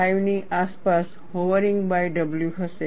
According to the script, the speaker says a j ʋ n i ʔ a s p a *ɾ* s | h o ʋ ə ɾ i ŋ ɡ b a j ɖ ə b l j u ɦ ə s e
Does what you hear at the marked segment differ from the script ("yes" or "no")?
yes